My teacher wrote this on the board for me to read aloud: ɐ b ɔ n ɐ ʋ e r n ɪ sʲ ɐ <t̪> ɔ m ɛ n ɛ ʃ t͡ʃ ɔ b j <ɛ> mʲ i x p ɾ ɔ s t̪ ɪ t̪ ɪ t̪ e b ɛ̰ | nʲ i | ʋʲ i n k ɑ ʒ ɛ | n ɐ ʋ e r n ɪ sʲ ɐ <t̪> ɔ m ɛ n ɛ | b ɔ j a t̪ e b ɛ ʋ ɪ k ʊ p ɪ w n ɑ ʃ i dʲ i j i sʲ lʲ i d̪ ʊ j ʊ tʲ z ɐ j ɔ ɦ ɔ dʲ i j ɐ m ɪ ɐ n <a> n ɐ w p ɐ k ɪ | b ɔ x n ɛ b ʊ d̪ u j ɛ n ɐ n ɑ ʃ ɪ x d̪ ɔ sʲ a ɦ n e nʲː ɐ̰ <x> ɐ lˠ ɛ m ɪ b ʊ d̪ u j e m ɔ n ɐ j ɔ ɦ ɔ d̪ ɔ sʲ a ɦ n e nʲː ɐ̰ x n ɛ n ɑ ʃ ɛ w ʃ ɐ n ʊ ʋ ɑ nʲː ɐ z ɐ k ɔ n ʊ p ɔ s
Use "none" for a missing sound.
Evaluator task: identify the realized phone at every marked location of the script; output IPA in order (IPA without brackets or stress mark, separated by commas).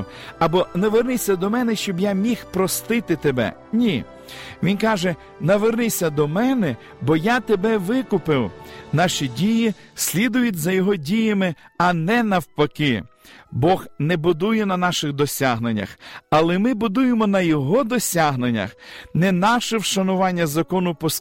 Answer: d̪, a, d̪, ɛ, x